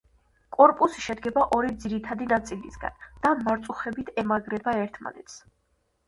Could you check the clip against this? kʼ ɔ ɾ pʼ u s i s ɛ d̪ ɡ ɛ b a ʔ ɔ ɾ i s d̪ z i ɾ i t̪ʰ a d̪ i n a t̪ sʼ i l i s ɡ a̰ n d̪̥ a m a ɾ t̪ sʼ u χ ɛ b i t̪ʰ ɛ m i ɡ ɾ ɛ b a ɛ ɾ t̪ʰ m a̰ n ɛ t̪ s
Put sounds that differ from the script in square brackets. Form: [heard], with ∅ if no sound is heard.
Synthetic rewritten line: kʼ ɔ ɾ pʼ u s i [ʃ] ɛ d̪ ɡ ɛ b a ʔ ɔ ɾ i [∅] d̪ z i ɾ i t̪ʰ a d̪ i n a t̪ sʼ i l i s ɡ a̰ n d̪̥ a m a ɾ t̪ sʼ u χ ɛ b i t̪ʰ ɛ m [a] ɡ ɾ ɛ b a ɛ ɾ t̪ʰ m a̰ n ɛ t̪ s